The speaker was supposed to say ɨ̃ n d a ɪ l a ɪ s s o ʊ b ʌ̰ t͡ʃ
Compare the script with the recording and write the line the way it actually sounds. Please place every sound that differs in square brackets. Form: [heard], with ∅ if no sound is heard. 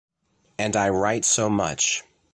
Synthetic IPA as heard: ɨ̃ n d a ɪ [ɹ] a ɪ [t] s o ʊ [m] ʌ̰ t͡ʃ